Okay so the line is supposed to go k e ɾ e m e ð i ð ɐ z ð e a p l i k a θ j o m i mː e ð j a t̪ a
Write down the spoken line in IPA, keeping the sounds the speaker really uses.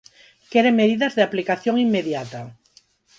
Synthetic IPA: k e ɾ e m e ð i ð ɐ z ð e a p l i k a θ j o ŋ i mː e ð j a t̪ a